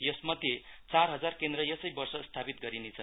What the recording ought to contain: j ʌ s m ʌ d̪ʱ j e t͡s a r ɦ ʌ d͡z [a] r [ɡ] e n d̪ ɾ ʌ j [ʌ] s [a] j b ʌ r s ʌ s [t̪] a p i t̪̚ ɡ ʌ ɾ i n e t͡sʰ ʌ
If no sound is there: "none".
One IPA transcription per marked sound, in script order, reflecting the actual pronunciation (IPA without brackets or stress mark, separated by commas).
a, k, ʌ, ʌ, t̪ʰ